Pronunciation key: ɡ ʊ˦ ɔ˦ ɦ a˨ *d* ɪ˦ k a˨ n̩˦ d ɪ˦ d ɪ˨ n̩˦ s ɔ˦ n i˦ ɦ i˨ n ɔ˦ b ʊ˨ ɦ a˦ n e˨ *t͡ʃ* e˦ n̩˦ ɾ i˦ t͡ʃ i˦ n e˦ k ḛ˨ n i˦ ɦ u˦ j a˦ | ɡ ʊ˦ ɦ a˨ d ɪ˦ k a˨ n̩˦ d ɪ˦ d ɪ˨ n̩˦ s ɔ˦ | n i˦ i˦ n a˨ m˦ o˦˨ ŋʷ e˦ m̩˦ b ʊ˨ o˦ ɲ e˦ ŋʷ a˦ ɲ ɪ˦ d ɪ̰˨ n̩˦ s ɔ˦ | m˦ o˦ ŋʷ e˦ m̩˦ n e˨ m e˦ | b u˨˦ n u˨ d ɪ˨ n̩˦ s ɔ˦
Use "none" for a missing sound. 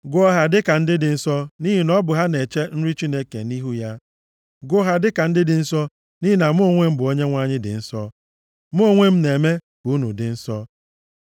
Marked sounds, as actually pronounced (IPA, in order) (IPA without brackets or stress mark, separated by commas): d, t͡ʃ